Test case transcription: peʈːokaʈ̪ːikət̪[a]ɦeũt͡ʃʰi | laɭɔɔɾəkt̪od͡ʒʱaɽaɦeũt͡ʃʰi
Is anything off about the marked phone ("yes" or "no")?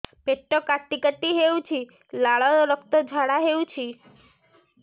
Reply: yes